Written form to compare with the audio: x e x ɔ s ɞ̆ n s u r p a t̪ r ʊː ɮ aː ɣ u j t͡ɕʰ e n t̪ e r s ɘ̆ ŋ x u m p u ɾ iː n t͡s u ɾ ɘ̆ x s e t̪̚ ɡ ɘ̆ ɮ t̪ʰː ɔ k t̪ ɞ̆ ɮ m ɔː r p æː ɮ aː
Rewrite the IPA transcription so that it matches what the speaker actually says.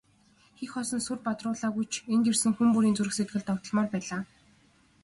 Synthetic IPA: x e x ɔ s ɞ̆ n s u r p a t̪ r ʊː ɮ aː ɣ u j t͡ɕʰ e n t̪ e r s ɘ̆ ŋ x u m p u ɾ iː n t͡s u ɾ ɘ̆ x s e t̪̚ ɡ ɘ̆ ɮ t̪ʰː ɔ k t̪ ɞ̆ ɮ m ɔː r p æː ɮ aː